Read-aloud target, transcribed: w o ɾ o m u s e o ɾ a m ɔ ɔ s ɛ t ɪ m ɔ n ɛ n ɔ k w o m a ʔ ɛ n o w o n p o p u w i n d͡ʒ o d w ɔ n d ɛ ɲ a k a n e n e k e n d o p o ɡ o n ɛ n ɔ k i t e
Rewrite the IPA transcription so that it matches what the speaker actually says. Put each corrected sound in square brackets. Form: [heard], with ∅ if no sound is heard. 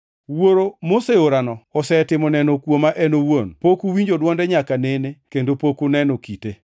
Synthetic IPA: w o ɾ o m [o] s e o ɾ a [n] ɔ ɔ s ɛ t ɪ m ɔ n ɛ n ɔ k w o m a ʔ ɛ n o w o n p o [k] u w i [ɲ] d͡ʒ o d w ɔ n d ɛ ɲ a k a n e n e k e n d o p o [k] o n ɛ n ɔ k i t e